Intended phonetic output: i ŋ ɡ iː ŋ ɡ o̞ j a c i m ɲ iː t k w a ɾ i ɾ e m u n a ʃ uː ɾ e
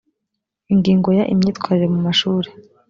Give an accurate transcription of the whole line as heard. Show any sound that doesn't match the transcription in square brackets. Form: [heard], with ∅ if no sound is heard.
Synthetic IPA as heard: i ŋ ɡ iː ŋ ɡ o̞ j a [ʔ] i m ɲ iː t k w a ɾ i ɾ e m u [m] a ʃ uː ɾ e